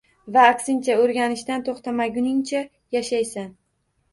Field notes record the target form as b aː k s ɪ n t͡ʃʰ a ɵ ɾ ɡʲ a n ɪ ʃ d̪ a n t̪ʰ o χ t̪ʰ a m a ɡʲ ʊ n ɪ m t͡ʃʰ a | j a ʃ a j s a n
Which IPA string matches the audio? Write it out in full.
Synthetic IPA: v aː k s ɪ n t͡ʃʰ a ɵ ɾ ɡʲ a n ɪ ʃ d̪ a n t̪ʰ o χ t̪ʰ a m a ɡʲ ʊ n ɪ ŋ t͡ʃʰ a | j a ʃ a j s a n